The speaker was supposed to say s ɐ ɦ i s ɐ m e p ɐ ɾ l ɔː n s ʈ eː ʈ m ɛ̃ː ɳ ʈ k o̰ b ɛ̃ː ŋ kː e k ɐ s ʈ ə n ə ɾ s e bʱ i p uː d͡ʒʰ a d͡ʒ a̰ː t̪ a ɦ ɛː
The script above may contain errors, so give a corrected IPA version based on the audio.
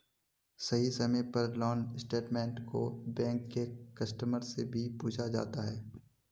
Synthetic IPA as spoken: s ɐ ɦ i s ɐ m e p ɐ ɾ l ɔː n s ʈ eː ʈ m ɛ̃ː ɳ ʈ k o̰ b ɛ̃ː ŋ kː e k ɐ s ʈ ə m ə ɾ s e bʱ i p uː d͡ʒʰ a d͡ʒ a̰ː t̪ a ɦ ɛː